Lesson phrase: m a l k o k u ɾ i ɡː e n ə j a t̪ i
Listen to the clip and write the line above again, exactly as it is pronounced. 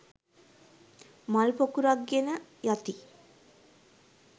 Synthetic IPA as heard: m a l p o k u ɾ a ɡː e n ə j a t̪ i